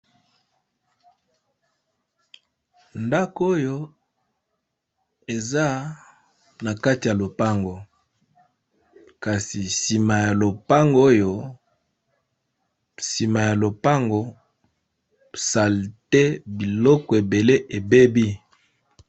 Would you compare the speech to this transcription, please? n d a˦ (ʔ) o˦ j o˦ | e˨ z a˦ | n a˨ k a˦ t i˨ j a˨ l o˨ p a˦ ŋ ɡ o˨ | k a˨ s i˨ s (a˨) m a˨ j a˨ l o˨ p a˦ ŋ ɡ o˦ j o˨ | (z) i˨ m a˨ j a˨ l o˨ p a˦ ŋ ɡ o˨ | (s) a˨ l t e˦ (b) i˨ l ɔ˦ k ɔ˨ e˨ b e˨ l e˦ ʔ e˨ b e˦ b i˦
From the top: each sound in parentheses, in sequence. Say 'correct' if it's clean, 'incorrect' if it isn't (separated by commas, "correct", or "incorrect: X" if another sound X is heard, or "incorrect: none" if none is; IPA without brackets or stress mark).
incorrect: k, incorrect: i˨, incorrect: s, correct, correct